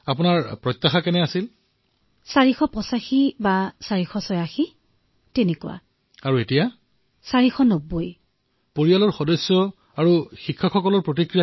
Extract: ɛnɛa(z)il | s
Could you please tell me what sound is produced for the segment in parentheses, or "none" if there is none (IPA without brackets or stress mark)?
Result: s